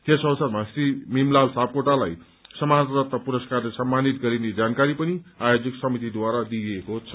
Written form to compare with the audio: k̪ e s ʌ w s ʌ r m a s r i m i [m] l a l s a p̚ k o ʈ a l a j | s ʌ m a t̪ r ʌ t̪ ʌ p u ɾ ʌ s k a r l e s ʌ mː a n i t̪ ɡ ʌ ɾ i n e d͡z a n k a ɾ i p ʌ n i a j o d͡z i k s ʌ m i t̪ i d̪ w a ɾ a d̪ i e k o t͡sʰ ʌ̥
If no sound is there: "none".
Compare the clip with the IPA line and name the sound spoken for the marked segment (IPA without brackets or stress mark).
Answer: m